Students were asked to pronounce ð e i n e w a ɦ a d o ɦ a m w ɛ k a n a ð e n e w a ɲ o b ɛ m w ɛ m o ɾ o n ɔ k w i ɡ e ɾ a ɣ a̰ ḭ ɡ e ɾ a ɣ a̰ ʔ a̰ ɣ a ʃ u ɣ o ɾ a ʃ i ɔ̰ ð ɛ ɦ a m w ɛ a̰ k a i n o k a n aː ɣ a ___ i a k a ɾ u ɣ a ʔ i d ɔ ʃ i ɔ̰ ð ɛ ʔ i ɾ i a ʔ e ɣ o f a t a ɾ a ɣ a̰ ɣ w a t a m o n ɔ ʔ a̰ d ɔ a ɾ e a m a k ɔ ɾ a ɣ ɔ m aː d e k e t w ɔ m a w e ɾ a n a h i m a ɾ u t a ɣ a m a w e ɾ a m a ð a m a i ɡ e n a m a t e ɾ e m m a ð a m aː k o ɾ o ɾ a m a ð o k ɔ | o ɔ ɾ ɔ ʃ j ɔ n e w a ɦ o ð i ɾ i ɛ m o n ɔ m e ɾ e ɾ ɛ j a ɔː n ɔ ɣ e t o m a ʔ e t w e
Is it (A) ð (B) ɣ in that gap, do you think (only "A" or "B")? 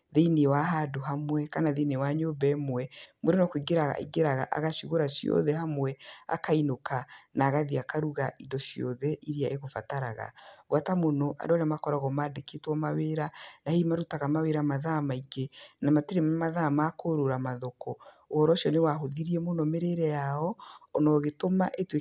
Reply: A